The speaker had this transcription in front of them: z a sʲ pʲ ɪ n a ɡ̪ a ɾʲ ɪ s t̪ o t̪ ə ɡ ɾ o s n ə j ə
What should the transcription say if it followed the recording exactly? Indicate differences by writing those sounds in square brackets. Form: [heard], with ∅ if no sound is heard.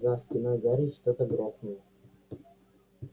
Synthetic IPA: z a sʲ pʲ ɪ n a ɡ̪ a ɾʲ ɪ [ʂ] t̪ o t̪ ə ɡ ɾ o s n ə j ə